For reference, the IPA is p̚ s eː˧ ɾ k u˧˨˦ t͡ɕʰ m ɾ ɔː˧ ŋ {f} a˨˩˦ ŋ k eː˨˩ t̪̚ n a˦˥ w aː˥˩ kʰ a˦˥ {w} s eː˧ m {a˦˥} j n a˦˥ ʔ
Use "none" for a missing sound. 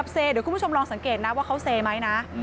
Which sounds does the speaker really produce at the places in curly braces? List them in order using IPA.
s, w, a˦˥

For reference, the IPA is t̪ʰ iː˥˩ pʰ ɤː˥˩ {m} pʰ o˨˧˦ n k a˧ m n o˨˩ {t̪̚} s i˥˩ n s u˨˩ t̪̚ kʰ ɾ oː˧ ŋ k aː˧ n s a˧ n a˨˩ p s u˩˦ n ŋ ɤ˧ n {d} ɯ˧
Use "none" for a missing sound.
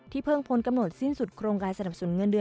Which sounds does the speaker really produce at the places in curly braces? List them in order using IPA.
ŋ, t̪̚, d

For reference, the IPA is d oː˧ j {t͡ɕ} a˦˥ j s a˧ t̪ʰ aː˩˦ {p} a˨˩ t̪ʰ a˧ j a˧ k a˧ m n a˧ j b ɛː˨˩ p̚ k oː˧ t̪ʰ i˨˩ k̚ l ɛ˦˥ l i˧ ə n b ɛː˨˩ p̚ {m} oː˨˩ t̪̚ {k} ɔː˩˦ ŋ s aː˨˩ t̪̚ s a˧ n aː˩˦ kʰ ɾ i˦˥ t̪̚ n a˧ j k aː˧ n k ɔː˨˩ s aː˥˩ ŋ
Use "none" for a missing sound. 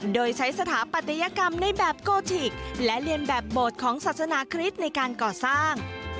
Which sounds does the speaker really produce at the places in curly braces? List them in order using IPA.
t͡ɕʰ, p, b, kʰ

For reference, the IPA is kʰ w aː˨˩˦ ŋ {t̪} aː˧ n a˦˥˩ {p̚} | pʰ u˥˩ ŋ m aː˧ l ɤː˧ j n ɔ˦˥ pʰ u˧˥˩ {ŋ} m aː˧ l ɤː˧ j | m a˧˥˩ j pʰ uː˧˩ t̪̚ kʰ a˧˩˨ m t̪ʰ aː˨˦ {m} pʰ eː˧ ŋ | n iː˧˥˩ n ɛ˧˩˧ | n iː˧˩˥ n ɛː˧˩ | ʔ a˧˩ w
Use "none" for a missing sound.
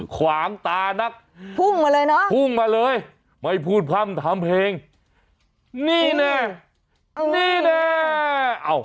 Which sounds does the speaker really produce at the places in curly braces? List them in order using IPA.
t̪, k̚, ŋ, m

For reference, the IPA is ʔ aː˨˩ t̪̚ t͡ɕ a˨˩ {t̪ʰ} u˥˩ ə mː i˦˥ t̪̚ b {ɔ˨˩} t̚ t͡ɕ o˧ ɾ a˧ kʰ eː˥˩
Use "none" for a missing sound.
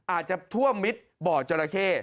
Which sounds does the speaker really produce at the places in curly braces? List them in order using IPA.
t̪ʰ, ɔː˨˩

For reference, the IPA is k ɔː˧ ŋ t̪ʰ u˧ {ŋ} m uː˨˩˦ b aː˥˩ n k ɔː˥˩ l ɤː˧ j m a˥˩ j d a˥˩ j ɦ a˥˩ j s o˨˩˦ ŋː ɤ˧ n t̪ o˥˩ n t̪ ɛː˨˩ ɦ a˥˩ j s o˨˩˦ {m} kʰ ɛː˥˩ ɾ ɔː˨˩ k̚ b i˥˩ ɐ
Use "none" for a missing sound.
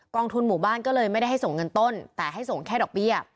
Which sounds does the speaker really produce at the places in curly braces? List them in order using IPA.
n, ŋ

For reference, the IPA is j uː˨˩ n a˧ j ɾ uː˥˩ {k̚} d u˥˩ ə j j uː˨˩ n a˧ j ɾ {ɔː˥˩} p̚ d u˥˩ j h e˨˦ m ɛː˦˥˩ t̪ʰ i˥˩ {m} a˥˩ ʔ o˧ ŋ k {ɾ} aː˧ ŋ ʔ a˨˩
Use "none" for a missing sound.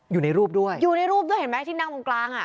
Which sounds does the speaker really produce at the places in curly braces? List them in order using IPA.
p̚, uː˥˩, n, l

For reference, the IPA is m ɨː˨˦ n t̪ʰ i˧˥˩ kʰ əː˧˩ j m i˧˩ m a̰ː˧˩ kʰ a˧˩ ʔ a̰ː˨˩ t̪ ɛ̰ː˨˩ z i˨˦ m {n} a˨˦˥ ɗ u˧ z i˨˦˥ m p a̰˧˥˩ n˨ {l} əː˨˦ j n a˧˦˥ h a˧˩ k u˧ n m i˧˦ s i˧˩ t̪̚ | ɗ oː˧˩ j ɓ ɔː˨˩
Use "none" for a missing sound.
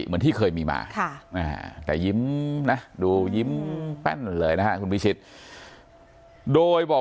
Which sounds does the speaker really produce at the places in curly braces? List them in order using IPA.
n, l

